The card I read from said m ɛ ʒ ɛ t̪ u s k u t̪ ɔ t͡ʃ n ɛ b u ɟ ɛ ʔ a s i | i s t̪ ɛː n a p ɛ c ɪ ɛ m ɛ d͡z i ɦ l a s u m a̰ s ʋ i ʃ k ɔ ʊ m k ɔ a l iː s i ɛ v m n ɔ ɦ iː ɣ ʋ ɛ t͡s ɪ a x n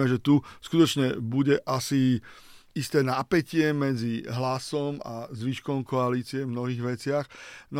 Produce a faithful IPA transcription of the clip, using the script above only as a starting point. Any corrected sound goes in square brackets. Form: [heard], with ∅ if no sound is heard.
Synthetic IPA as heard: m ɛ ʒ ɛ t̪ u s k u t̪ ɔ t͡ʃ [ɲ] ɛ b u ɟ ɛ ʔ a s i | i s t̪ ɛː n a p ɛ c ɪ ɛ m ɛ d͡z i ɦ l a s [ɔ] m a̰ [z] ʋ i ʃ k ɔ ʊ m k ɔ a l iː [t͡s] i ɛ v m n ɔ ɦ iː ɣ ʋ ɛ t͡s ɪ a x n